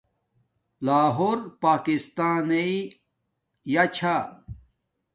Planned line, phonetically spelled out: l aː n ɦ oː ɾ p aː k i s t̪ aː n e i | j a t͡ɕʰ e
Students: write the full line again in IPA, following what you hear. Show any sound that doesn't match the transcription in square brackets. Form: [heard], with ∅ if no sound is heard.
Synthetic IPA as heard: l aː [∅] ɦ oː ɾ p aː k i s t̪ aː n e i | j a t͡ɕʰ [a]